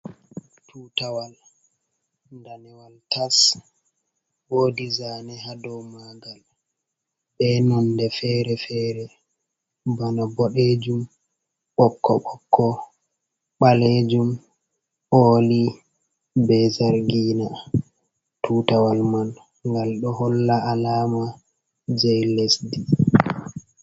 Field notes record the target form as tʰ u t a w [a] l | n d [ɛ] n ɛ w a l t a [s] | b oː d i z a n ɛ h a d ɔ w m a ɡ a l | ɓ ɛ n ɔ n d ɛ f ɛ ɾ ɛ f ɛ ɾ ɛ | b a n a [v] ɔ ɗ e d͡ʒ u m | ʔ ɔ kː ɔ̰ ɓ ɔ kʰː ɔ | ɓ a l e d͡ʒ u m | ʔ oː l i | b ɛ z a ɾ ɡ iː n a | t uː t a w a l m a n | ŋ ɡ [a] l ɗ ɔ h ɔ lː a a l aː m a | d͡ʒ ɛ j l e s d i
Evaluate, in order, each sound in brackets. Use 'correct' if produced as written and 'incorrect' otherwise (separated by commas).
correct, incorrect, correct, incorrect, correct